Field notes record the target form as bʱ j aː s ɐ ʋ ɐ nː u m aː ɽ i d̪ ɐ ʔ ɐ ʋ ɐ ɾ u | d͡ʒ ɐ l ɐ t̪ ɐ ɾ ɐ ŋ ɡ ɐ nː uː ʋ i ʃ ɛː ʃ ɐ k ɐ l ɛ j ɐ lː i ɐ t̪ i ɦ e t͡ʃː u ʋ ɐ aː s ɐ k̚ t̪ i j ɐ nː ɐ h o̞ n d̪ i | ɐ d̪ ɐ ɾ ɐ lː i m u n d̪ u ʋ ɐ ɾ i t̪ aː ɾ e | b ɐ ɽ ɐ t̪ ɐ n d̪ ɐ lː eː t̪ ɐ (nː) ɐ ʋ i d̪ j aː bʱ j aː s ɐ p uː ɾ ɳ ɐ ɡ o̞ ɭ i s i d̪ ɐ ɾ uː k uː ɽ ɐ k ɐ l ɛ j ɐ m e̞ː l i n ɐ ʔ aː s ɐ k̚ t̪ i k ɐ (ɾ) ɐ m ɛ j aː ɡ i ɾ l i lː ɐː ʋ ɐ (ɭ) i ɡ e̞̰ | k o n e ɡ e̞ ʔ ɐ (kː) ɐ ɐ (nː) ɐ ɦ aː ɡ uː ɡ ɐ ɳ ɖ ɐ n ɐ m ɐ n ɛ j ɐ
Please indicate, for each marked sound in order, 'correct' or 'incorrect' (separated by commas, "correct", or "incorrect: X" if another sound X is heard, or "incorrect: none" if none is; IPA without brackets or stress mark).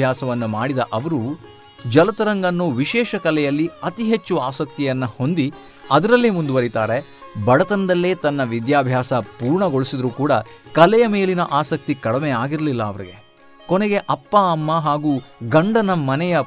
correct, incorrect: ɽ, incorrect: ɾ, incorrect: pː, incorrect: mː